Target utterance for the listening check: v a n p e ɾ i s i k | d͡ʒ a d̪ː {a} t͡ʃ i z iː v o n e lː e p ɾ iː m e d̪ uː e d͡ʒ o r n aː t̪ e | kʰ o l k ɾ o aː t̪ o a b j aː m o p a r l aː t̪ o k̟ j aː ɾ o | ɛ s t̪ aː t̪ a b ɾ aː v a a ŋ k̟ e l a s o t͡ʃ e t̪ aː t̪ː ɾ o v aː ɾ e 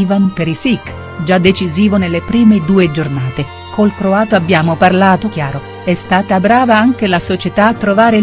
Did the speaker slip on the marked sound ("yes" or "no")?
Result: yes